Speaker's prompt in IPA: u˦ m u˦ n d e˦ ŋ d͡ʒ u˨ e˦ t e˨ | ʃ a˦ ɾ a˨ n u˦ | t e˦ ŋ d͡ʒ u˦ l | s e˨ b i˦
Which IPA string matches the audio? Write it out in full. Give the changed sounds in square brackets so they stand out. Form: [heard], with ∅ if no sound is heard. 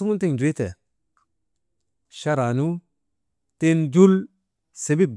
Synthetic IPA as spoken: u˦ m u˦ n [t] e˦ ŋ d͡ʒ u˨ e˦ t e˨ | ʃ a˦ ɾ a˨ n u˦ | t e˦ [n] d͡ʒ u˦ l | s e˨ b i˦